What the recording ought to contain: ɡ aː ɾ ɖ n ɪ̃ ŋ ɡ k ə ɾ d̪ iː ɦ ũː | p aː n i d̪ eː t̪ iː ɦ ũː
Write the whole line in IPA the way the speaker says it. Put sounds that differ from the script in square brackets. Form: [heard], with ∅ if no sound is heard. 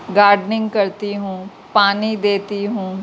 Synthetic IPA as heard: ɡ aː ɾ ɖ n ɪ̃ ŋ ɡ k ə ɾ [t̪] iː ɦ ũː | p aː n i d̪ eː t̪ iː ɦ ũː